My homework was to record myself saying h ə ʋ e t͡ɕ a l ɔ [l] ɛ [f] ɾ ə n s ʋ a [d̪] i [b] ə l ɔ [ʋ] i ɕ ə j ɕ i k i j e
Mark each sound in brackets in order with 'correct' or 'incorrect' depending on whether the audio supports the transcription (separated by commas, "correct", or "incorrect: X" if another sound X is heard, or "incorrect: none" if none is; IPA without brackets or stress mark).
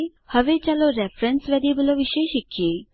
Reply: incorrect: ɾ, correct, correct, correct, correct